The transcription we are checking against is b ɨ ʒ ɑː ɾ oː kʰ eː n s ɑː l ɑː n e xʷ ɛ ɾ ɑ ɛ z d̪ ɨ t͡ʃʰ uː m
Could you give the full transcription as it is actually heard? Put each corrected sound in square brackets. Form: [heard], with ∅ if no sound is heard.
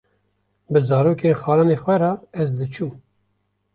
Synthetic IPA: b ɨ [z] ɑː ɾ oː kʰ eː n [x] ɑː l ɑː n e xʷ ɛ ɾ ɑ ɛ z d̪ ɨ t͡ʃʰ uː m